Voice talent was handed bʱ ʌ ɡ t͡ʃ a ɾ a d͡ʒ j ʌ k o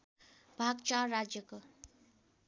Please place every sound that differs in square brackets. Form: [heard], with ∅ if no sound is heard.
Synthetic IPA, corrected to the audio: bʱ [a] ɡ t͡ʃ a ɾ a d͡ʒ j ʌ k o